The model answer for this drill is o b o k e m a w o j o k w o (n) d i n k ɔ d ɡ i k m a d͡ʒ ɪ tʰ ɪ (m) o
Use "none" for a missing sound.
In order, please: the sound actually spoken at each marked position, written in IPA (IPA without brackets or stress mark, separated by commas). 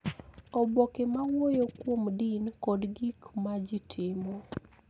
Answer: m, m